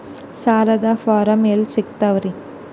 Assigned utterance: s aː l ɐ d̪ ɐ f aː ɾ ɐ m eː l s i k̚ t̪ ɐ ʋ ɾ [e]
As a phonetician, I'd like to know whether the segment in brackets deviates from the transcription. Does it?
yes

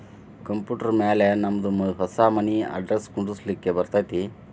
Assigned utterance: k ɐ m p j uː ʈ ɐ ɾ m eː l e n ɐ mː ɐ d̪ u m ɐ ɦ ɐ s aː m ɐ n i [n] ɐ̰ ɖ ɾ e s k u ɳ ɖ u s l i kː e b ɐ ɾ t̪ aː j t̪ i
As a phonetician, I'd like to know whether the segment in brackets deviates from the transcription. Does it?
yes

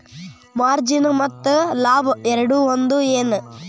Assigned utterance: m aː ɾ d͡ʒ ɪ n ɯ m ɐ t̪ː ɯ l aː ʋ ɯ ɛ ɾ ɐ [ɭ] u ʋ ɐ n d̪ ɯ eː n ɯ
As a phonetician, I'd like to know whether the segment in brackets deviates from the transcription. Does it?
yes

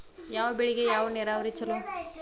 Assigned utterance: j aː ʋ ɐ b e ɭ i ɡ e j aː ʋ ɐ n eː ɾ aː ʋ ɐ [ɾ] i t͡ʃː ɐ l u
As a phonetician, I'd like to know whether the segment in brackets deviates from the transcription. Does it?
no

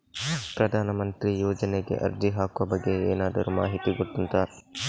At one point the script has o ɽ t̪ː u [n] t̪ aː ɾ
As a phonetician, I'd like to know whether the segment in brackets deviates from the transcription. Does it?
no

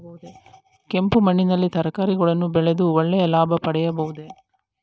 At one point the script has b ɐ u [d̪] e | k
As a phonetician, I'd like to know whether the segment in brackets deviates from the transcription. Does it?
no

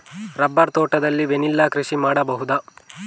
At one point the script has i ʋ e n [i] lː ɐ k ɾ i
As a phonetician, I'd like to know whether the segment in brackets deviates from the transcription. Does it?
no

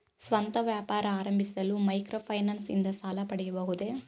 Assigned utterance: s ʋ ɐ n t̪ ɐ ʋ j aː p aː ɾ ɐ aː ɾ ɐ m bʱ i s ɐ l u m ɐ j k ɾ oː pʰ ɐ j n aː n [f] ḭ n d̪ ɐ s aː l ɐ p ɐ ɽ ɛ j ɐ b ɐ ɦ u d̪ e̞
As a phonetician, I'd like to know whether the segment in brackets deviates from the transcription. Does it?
yes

